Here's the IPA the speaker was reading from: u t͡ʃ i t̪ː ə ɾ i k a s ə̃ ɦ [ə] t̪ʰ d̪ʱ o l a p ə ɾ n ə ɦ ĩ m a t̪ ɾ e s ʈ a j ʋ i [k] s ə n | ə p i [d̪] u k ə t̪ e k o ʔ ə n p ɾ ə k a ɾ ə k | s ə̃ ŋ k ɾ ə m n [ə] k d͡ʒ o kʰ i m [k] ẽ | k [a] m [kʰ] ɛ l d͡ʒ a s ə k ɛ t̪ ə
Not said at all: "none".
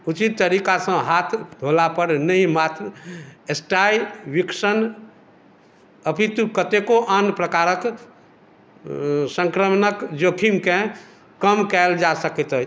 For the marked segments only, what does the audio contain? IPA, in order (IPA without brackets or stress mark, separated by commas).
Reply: a, k, t̪, ə, k, ə, k